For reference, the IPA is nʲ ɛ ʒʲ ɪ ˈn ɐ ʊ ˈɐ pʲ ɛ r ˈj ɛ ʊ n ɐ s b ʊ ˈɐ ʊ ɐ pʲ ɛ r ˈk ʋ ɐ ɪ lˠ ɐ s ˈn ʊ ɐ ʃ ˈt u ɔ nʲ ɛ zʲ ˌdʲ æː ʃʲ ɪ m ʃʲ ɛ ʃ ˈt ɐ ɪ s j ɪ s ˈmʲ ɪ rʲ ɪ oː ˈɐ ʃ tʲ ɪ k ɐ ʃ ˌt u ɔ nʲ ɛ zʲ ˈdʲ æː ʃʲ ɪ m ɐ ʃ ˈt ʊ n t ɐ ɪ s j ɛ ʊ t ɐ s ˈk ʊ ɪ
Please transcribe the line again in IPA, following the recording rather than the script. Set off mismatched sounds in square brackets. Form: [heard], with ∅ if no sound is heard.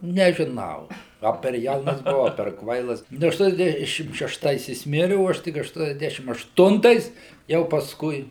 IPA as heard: nʲ ɛ ʒʲ ɪ ˈn ɐ ʊ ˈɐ pʲ ɛ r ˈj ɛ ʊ n ɐ s b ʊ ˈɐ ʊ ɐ pʲ ɛ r ˈk ʋ ɐ ɪ lˠ ɐ s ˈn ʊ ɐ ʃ ˈt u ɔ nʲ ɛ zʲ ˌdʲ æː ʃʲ ɪ m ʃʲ ɛ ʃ ˈt ɐ ɪ s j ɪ s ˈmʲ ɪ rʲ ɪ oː ˈɐ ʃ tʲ ɪ k ɐ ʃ ˌt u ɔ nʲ ɛ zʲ ˈdʲ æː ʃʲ ɪ m ɐ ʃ ˈt ʊ n t ɐ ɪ s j ɛ ʊ [p] ɐ s ˈk ʊ ɪ

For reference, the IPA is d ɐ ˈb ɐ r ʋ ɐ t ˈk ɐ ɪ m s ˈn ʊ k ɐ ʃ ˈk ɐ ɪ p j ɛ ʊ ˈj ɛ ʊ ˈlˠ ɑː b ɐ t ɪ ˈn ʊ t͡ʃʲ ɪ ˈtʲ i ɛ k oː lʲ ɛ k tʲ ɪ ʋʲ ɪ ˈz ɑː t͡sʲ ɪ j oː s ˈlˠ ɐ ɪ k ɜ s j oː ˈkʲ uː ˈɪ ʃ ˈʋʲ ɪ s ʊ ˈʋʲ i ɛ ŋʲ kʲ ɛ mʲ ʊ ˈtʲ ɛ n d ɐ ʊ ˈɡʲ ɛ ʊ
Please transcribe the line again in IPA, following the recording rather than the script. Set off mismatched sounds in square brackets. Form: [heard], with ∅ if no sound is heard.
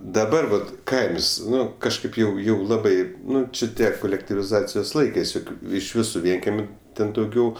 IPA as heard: d ɐ ˈb ɐ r ʋ ɐ t ˈk ɐ ɪ m s ˈn ʊ k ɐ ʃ ˈk ɐ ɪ p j ɛ ʊ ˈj ɛ ʊ ˈlˠ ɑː b ɐ [∅] ɪ ˈn ʊ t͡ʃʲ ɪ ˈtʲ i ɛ k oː lʲ ɛ k tʲ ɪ ʋʲ ɪ ˈz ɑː t͡sʲ ɪ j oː s ˈlˠ ɐ ɪ k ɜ s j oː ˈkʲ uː ˈɪ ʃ ˈʋʲ ɪ s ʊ ˈʋʲ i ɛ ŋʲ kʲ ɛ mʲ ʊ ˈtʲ ɛ n d ɐ ʊ ˈɡʲ ɛ ʊ

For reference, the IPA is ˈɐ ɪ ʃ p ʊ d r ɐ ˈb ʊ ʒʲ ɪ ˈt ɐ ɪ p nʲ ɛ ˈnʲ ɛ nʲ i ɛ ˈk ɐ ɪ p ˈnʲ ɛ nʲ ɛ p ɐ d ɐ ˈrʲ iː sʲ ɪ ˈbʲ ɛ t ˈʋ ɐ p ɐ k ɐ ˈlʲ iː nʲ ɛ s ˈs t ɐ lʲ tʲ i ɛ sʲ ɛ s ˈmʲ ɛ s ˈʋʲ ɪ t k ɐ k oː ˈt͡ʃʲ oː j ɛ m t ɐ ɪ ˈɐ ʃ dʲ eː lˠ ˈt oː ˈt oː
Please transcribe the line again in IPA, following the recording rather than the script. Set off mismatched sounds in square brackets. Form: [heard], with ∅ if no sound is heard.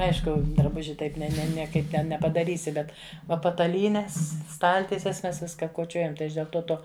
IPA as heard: ˈɐ ɪ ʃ [k] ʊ d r ɐ ˈb ʊ ʒʲ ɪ ˈt ɐ ɪ p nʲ ɛ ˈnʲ ɛ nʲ i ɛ ˈk ɐ ɪ p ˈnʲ ɛ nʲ ɛ p ɐ d ɐ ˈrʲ iː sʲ ɪ ˈbʲ ɛ t ˈʋ ɐ p ɐ [t] ɐ ˈlʲ iː nʲ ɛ s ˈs t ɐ lʲ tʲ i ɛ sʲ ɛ s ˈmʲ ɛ s ˈʋʲ ɪ [s] k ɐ k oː ˈt͡ʃʲ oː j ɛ m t ɐ ɪ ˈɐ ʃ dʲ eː lˠ ˈt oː ˈt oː

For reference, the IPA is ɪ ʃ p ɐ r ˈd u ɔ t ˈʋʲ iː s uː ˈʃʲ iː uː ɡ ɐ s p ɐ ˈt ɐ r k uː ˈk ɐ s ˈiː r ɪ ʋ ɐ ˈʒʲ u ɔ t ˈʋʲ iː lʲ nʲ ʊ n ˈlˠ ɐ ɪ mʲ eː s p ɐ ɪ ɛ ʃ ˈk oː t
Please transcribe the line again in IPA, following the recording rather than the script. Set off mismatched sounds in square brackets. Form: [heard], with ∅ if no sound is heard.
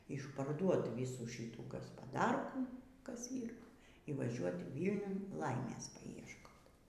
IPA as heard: ɪ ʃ p ɐ r ˈd u ɔ t ˈʋʲ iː s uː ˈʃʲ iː uː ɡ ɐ s p ɐ [ˈd] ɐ r k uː ˈk ɐ s ˈiː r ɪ ʋ ɐ ˈʒʲ u ɔ t ˈʋʲ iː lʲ nʲ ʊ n ˈlˠ ɐ ɪ mʲ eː s p ɐ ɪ ɛ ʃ ˈk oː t

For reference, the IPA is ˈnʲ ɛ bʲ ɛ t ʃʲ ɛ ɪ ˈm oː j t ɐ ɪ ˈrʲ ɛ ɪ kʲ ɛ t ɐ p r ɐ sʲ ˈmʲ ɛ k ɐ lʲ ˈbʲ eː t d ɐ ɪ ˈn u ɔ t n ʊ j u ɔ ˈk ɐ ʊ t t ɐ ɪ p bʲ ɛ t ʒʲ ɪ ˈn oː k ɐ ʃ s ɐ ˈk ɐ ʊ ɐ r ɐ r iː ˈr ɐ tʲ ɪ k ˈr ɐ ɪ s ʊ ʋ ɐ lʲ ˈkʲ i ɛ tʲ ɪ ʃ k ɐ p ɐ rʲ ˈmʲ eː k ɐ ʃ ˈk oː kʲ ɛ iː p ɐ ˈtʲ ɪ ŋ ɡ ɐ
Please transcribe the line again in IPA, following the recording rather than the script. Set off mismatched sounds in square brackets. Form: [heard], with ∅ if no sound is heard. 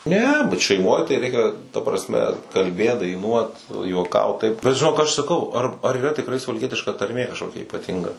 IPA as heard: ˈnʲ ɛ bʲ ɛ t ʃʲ ɛ ɪ ˈm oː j t ɐ ɪ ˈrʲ ɛ ɪ kʲ ɛ t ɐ p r ɐ sʲ ˈmʲ ɛ k ɐ lʲ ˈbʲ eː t d ɐ ɪ ˈn u ɔ t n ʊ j u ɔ ˈk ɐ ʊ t t ɐ ɪ p bʲ ɛ t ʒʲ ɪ ˈn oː k ɐ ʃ s ɐ ˈk ɐ ʊ ɐ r ɐ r iː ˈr ɐ tʲ ɪ k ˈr ɐ ɪ s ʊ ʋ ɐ lʲ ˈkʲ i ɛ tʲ ɪ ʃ k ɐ [t] ɐ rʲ ˈmʲ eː k ɐ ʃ ˈk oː kʲ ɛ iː p ɐ ˈtʲ ɪ ŋ ɡ ɐ

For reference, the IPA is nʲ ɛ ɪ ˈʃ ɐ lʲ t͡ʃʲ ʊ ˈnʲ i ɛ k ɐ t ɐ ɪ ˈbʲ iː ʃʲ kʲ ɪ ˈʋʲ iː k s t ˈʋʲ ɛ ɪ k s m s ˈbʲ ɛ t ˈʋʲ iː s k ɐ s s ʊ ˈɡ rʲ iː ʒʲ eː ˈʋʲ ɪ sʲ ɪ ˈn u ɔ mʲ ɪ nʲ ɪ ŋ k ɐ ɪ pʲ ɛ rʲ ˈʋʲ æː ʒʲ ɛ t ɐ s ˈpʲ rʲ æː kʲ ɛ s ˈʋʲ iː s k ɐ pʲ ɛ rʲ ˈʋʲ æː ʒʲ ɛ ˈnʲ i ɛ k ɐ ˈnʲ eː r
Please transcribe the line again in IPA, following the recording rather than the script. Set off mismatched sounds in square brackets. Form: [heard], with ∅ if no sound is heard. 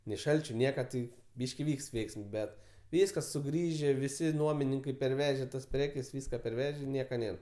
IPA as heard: nʲ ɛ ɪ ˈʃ ɐ lʲ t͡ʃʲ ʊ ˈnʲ i ɛ k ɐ t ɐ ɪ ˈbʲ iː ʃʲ kʲ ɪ ˈʋʲ iː k s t ˈʋʲ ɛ ɪ k s m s ˈbʲ ɛ t ˈʋʲ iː s k ɐ s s ʊ ˈɡ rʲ iː ʒʲ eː ˈʋʲ ɪ sʲ ɪ ˈn u ɔ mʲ ɪ nʲ ɪ ŋ k ɐ ɪ pʲ ɛ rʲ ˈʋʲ æː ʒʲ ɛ t ɐ s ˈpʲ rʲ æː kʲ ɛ s ˈʋʲ iː s k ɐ pʲ ɛ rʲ ˈʋʲ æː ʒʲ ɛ ˈnʲ i ɛ k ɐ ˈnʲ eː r

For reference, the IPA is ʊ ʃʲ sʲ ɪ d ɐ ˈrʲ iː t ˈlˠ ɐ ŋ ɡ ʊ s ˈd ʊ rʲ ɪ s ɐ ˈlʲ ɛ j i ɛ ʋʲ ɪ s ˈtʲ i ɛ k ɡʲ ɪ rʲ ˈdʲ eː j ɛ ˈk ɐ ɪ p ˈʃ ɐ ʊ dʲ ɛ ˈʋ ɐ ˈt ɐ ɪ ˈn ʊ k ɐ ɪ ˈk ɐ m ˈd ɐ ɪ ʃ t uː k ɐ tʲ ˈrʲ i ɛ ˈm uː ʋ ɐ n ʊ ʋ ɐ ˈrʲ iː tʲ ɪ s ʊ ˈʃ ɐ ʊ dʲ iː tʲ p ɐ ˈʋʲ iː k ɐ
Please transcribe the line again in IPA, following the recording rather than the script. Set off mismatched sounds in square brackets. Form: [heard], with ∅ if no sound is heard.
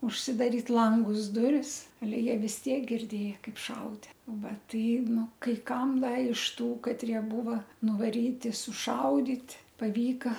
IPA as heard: ʊ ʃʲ sʲ ɪ d ɐ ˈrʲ iː t ˈlˠ ɐ ŋ ɡ ʊ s ˈd ʊ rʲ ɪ s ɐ ˈlʲ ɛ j i ɛ ʋʲ ɪ s ˈtʲ i ɛ k ɡʲ ɪ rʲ ˈdʲ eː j ɛ ˈk ɐ ɪ p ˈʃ ɐ ʊ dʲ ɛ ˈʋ ɐ ˈt ɐ ɪ ˈn ʊ k ɐ ɪ ˈk ɐ m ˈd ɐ ɪ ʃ t uː k ɐ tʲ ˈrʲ i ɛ [ˈb] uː ʋ ɐ n ʊ ʋ ɐ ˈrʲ iː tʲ ɪ s ʊ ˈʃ ɐ ʊ dʲ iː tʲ p ɐ ˈʋʲ iː k ɐ

